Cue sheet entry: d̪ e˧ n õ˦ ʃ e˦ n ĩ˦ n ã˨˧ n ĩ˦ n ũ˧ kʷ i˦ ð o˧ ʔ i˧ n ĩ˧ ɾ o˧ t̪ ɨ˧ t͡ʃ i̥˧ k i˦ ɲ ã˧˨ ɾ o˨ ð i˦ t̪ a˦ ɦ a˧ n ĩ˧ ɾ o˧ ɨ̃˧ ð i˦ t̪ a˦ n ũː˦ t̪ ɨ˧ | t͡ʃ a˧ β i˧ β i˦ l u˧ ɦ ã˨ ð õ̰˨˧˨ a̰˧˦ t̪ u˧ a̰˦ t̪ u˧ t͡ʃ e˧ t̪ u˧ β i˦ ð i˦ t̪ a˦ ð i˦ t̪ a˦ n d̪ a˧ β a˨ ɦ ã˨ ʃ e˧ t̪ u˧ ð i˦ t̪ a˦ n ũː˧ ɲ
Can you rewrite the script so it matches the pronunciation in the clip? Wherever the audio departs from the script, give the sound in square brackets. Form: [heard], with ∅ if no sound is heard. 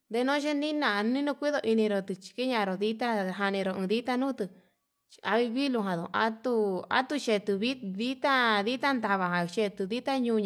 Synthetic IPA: d̪ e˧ n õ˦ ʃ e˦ n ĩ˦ n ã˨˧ n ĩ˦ n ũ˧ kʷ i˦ ð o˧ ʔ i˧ n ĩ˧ ɾ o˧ t̪ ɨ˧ t͡ʃ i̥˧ k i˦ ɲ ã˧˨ ɾ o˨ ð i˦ t̪ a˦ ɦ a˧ n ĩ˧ ɾ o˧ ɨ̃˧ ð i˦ t̪ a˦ n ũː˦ t̪ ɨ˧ | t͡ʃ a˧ β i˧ β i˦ l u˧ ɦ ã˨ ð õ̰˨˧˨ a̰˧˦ t̪ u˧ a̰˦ t̪ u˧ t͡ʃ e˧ t̪ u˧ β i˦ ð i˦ t̪ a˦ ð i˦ t̪ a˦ n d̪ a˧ β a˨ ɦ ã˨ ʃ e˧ t̪ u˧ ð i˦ t̪ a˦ [ɲ] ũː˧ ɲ